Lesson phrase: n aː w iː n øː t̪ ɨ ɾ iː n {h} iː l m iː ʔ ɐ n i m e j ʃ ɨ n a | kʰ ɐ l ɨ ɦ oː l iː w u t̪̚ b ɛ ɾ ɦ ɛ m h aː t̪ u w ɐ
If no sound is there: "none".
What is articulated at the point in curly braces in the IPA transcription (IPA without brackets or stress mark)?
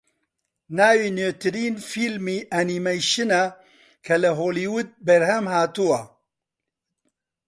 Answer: f